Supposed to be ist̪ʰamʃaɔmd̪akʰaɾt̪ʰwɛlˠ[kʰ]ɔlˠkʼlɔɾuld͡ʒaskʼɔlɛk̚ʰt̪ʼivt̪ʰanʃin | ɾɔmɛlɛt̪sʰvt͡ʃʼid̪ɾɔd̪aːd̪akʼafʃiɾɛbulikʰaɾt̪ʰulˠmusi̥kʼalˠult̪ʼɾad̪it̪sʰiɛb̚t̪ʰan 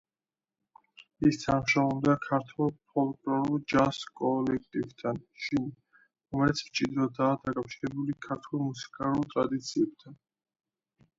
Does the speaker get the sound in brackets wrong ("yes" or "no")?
yes